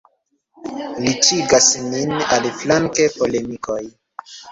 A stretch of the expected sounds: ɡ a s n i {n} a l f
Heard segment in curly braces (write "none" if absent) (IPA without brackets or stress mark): n